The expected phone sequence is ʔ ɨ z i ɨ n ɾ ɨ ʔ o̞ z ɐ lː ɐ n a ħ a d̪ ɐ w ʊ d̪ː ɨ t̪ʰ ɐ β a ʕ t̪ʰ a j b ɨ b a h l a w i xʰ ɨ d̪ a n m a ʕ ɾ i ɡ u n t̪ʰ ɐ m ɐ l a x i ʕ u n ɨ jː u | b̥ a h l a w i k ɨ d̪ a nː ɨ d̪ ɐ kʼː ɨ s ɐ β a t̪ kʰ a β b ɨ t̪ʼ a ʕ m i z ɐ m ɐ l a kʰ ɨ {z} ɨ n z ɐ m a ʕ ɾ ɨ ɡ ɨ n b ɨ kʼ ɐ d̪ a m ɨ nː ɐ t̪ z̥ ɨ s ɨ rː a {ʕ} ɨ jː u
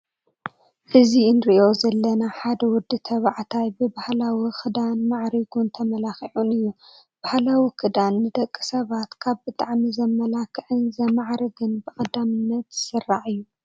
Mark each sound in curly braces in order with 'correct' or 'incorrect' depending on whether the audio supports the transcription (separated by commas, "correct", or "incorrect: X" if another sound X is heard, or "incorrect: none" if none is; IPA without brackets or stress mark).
incorrect: ʕ, correct